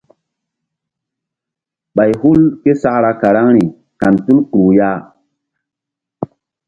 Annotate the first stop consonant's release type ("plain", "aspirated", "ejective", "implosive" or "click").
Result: implosive